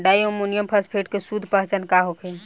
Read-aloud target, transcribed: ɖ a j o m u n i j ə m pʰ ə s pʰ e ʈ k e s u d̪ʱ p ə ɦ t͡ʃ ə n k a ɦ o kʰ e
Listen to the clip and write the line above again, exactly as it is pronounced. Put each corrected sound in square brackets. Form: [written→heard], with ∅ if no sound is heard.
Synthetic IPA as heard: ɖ a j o m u n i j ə m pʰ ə s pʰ e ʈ k e s u d̪ʱ p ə ɦ t͡ʃ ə n k a ɦ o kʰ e

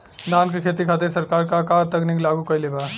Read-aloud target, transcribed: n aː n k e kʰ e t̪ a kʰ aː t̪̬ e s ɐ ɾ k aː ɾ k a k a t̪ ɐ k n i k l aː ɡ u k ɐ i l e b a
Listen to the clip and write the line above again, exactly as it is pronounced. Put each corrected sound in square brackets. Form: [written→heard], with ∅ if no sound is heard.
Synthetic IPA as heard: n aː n k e kʰ e t̪ [a→i] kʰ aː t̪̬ e s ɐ ɾ k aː ɾ k a k a t̪ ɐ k n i k l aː ɡ u k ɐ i l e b a

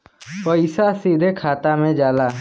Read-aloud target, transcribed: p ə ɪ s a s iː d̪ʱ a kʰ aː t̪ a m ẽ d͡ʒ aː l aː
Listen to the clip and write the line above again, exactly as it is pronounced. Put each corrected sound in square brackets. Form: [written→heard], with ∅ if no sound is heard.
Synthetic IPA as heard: p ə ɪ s a s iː d̪ʱ [a→e] kʰ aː t̪ a m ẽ d͡ʒ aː l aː

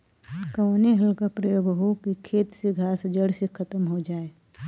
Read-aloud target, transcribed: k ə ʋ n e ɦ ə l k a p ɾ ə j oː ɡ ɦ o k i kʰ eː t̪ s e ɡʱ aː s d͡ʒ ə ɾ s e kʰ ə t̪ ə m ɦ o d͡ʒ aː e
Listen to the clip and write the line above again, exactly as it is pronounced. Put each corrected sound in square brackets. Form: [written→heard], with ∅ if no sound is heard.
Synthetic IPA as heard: k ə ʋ n e ɦ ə l k a p ɾ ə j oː ɡ ɦ o k i kʰ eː t̪ s e ɡʱ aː s d͡ʒ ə [ɾ→ɽ] s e kʰ ə t̪ ə m ɦ o d͡ʒ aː e

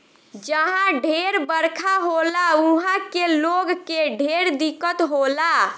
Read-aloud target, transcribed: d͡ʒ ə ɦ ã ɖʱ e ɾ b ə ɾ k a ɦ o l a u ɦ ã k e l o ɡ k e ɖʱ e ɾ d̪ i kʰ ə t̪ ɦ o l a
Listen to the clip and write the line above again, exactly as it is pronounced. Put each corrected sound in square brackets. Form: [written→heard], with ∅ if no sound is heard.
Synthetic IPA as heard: d͡ʒ ə ɦ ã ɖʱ e ɾ b ə ɾ [k→kʰ] a ɦ o l a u ɦ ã k e l o ɡ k e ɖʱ e ɾ d̪ i [kʰ→k] ə t̪ ɦ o l a

